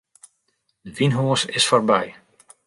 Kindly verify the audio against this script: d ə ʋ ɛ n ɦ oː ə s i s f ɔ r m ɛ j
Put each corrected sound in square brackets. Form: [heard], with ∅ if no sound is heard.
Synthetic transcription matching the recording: d ə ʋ [i] n ɦ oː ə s [ɪ] s f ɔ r [b] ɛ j